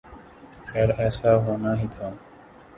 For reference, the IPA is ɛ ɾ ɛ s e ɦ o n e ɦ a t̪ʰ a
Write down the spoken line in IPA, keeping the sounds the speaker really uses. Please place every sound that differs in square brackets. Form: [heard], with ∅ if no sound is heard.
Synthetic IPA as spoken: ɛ ɾ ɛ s [a] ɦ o n [a] ɦ [i] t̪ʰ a

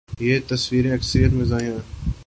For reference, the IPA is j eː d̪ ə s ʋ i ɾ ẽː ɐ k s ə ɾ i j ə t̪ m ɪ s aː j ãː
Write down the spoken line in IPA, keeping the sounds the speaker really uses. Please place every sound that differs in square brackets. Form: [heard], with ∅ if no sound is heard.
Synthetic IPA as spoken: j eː [t̪] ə s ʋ [iː] ɾ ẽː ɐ k s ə ɾ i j ə t̪ m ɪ [z] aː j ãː

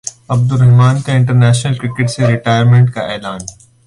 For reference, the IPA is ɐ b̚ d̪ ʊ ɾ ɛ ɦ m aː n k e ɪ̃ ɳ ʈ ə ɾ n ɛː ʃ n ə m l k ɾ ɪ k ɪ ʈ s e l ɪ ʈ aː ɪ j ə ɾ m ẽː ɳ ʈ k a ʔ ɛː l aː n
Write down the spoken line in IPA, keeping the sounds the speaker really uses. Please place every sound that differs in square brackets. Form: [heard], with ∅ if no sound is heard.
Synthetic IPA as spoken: ɐ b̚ d̪ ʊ ɾ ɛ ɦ m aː n k e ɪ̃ ɳ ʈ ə ɾ n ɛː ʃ n ə [∅] l k ɾ ɪ k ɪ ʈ s e [ɾ] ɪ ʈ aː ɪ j ə ɾ m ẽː ɳ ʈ k a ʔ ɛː l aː n

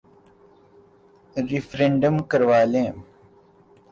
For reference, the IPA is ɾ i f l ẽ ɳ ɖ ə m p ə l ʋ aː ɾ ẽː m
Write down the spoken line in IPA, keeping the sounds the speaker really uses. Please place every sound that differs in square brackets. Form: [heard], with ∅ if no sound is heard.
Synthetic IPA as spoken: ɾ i f [ɾ] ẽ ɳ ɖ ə m [k] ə [ɾ] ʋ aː [l] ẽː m

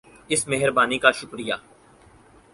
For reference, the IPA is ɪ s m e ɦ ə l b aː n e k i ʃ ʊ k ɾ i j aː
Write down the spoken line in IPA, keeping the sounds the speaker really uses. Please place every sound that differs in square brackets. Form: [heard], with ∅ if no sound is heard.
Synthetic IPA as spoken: ɪ s m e ɦ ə [ɾ] b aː n [i] k [a] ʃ ʊ k ɾ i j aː

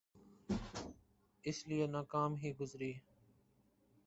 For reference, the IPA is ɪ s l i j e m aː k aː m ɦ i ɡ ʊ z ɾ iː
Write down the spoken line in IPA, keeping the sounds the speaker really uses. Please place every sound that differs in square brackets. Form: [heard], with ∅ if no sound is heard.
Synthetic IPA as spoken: ɪ s l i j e [n] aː k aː m ɦ [iː] ɡ ʊ z ɾ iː

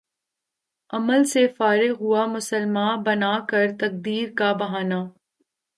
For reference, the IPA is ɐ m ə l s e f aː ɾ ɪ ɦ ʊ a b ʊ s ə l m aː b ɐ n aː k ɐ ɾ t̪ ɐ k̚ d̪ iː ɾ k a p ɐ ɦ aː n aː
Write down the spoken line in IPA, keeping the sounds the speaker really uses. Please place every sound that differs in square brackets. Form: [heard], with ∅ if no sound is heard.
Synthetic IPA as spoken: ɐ m ə l s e f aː ɾ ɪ ɦ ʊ a [m] ʊ s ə l m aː b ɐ n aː k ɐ ɾ t̪ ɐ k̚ d̪ iː ɾ k a [b] ɐ ɦ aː n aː

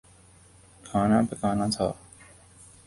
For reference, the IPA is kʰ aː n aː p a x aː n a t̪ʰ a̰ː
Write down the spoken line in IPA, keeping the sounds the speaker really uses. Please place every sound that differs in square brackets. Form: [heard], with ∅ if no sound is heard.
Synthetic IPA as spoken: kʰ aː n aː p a [k] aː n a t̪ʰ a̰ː

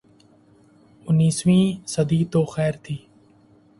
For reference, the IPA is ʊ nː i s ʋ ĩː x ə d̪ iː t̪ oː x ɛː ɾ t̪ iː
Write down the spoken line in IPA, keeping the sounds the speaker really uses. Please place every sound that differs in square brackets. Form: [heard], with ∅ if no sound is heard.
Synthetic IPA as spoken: ʊ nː [iː] s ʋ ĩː [s] ə d̪ iː t̪ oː x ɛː ɾ [t̪ʰ] iː

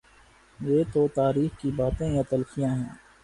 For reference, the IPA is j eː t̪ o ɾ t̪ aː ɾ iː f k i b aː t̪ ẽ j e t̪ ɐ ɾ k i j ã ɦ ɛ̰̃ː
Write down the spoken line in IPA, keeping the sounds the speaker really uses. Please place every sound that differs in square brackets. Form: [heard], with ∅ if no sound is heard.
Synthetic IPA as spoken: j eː t̪ o [∅] t̪ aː ɾ iː [x] k i b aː t̪ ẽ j [a] t̪ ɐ [l] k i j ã ɦ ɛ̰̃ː

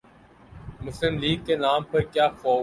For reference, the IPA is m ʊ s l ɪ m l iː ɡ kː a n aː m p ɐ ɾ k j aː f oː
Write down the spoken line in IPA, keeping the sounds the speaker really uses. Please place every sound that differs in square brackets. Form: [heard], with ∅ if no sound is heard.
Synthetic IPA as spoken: m ʊ s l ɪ m l iː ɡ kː [e] n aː m p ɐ ɾ k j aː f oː

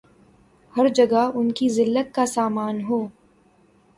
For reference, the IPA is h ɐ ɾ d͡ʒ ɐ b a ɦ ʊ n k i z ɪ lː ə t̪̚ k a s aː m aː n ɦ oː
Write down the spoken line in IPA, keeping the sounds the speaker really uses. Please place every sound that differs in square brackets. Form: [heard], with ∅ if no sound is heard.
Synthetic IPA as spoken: h ɐ ɾ d͡ʒ ɐ [ɡ] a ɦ ʊ n k i z ɪ lː ə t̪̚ k a s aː m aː n ɦ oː

